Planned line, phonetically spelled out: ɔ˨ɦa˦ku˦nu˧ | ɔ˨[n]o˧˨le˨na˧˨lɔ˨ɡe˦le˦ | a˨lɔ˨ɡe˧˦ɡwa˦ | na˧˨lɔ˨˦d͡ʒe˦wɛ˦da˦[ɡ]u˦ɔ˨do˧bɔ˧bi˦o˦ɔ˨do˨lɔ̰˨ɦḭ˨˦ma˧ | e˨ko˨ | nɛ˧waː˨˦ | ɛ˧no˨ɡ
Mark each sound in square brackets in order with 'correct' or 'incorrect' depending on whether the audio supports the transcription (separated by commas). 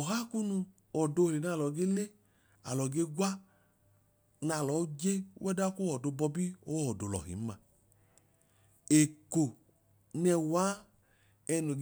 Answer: incorrect, incorrect